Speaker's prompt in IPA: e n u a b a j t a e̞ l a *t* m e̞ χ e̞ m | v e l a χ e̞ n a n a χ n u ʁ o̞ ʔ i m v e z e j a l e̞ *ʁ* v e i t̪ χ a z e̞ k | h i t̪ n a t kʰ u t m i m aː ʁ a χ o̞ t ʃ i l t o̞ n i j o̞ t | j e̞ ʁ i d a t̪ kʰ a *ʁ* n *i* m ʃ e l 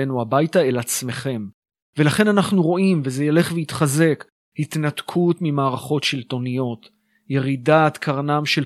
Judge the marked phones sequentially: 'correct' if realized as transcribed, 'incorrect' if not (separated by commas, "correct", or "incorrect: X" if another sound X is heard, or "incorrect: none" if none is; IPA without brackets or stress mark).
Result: incorrect: t͡s, incorrect: χ, correct, incorrect: a